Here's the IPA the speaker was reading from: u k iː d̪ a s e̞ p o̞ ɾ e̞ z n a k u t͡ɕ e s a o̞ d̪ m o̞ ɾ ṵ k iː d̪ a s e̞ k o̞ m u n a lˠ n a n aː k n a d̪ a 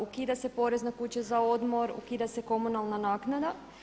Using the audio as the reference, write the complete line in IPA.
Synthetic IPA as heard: u k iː d̪ a s e̞ p o̞ ɾ e̞ z n a k u t͡ɕ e z a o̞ d̪ m o̞ ɾ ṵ k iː d̪ a s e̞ k o̞ m u n a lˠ n a n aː k n a d̪ a